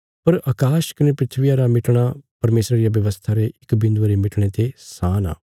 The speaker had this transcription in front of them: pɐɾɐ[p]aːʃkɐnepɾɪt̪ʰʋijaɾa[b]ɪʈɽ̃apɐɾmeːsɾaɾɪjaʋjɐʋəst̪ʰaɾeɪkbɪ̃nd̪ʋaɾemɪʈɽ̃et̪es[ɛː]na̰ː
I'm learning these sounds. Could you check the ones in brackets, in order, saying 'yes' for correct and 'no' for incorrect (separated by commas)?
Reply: no, no, no